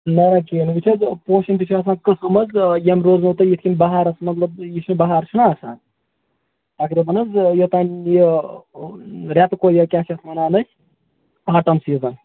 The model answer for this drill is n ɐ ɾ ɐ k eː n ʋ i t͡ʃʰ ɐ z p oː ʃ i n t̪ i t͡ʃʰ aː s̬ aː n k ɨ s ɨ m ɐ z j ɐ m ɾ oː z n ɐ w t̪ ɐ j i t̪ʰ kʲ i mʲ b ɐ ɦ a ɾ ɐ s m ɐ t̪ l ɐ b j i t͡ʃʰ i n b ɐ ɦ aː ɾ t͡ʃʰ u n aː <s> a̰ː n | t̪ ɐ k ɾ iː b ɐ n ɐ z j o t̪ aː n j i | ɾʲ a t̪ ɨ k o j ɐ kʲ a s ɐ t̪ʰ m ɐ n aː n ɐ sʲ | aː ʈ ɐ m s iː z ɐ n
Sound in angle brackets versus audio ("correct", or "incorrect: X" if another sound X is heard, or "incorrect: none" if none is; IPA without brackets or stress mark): correct